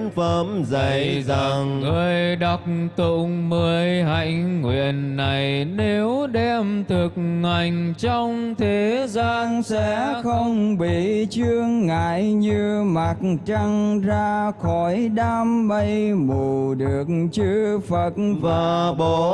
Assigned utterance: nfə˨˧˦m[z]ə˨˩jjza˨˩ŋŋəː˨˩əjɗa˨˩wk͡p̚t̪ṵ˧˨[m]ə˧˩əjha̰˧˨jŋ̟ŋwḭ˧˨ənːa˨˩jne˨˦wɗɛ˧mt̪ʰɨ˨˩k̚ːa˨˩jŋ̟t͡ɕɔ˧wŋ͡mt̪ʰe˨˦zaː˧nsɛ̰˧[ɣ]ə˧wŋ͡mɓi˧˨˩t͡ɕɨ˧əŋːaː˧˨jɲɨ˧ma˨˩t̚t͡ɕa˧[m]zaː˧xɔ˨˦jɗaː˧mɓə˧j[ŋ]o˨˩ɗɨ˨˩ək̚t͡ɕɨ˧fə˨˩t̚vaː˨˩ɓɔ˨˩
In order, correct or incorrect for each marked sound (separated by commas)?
correct, correct, incorrect, incorrect, incorrect